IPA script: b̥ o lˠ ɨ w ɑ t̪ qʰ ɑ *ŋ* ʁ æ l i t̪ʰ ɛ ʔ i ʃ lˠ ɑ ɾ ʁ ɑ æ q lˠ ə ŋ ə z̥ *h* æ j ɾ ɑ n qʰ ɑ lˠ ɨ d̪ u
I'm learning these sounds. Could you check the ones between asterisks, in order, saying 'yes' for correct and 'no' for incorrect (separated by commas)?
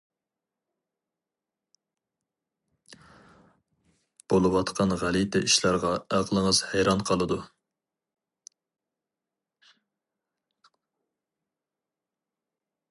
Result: no, yes